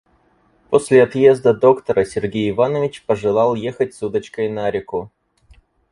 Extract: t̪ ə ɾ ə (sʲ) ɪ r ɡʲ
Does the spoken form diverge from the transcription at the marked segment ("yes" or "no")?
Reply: no